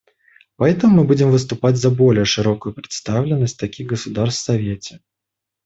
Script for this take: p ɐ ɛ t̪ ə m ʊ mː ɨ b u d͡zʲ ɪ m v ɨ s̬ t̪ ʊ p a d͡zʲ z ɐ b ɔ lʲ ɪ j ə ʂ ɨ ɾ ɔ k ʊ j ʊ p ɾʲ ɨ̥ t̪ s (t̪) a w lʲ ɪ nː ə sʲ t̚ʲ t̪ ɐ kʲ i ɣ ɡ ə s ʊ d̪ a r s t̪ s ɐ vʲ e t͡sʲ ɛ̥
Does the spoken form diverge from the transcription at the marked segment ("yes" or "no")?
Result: no